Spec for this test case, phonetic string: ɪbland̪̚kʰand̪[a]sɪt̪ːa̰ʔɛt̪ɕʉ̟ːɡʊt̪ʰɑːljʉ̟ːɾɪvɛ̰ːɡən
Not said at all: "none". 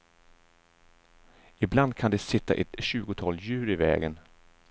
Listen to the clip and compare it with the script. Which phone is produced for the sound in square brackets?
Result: ɛ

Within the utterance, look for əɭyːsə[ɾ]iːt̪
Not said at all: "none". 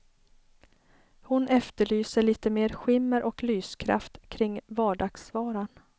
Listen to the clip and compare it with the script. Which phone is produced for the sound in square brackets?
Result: ɭ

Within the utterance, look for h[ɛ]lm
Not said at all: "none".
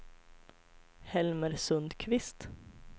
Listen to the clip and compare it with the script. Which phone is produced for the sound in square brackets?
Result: ɛ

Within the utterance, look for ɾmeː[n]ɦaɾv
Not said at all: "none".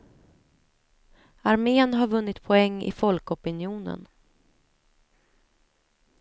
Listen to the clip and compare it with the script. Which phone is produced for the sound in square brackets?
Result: n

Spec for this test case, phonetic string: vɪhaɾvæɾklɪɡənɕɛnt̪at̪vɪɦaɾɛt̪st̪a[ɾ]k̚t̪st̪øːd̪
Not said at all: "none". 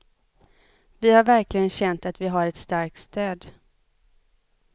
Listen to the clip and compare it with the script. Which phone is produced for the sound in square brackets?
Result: ɾ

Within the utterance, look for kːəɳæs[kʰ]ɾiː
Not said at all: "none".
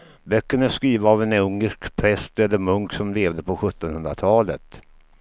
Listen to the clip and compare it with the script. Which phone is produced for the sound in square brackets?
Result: k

